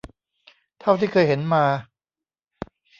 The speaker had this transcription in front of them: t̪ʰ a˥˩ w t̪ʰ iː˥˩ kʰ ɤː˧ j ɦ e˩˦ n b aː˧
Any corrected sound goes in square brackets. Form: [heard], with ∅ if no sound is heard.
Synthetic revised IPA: t̪ʰ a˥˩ w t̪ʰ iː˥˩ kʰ ɤː˧ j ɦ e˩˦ n [m] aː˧

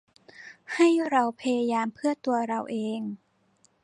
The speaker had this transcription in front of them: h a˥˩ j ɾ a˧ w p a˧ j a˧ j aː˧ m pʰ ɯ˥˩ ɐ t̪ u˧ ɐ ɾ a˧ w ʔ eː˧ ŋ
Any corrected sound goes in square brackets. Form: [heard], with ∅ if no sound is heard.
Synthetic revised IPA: h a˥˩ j ɾ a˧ w [pʰ] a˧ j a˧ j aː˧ m pʰ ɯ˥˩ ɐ t̪ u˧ ɐ ɾ a˧ w ʔ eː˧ ŋ

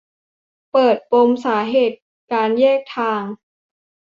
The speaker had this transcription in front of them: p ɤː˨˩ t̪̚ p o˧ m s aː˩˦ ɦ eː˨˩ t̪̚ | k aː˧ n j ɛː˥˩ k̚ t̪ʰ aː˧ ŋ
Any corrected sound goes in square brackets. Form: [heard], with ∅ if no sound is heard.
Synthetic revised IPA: p ɤː˨˩ t̪̚ p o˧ m s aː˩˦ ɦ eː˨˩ t̪̚ | k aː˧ n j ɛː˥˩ k̚ t̪ʰ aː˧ ŋ

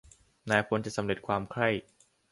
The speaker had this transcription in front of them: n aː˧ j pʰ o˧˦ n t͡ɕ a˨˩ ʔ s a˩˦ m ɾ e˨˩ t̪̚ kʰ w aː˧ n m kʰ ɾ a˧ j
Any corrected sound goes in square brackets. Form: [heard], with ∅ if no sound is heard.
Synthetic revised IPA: n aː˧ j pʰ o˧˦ n t͡ɕ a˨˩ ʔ s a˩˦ m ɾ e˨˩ t̪̚ kʰ w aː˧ [∅] m kʰ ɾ [a˥˩] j

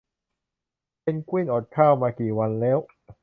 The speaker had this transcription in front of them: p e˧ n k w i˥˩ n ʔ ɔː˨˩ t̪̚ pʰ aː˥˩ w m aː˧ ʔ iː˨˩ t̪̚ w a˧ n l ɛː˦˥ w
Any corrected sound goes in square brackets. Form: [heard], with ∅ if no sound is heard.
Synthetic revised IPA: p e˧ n k w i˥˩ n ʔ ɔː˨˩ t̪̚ [kʰ] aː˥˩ w m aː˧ [k] iː˨˩ [∅] w a˧ n l ɛː˦˥ w

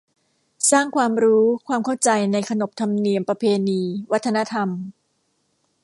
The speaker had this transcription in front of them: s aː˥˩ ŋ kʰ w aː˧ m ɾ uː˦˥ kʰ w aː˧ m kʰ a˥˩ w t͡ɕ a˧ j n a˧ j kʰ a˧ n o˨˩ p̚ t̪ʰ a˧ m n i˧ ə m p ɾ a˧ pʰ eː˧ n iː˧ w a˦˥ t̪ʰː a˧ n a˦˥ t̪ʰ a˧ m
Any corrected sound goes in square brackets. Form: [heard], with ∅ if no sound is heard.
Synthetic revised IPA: s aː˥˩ ŋ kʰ w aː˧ m ɾ uː˦˥ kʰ w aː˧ m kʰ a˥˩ w t͡ɕ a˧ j n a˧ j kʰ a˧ n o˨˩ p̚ t̪ʰ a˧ m n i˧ ə m p ɾ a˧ pʰ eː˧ n iː˧ w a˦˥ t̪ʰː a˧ n a˦˥ t̪ʰ a˧ m

